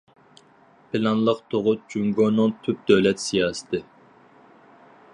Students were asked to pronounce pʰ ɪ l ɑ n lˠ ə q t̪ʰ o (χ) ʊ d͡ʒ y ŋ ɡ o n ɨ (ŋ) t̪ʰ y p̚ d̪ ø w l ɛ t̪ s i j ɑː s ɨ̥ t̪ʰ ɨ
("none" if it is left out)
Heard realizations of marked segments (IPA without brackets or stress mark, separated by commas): ʁ, ŋ